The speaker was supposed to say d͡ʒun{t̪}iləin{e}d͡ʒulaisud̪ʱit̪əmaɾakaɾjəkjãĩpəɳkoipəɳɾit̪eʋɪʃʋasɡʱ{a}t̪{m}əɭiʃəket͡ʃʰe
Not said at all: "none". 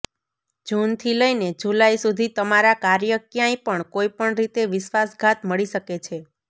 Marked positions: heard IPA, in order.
t̪ʰ, e, a, m

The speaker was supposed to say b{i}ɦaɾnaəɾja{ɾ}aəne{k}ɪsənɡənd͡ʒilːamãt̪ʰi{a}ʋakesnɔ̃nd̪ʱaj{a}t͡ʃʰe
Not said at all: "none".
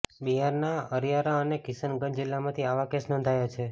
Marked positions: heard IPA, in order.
i, ɾ, k, a, a

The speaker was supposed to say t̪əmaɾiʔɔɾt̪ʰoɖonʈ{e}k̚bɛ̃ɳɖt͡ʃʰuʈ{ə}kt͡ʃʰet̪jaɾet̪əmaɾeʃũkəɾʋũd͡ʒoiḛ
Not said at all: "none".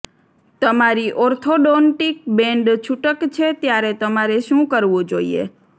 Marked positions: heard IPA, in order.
i, ə

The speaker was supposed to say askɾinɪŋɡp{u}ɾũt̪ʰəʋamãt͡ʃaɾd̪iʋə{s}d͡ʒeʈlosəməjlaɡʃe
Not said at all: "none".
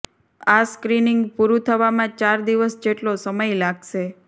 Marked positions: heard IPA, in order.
u, s

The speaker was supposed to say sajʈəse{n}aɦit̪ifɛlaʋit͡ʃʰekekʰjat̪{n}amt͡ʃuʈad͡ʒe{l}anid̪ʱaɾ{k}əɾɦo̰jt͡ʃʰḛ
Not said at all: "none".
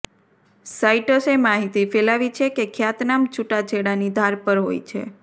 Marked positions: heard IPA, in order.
m, n, ɽ, p

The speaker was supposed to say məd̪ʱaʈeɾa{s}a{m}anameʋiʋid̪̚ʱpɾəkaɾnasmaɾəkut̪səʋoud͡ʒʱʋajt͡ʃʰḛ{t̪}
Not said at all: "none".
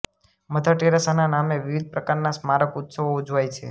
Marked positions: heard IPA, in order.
s, n, none

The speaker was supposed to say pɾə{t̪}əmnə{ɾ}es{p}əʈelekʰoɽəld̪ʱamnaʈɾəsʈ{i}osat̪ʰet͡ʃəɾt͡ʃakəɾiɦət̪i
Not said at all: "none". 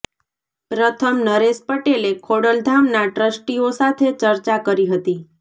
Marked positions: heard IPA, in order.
t̪ʰ, ɾ, p, i

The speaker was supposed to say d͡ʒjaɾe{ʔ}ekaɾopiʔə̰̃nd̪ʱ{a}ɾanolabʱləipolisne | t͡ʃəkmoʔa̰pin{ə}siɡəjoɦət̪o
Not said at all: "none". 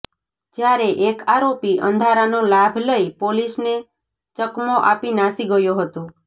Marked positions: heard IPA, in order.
ʔ, a, a

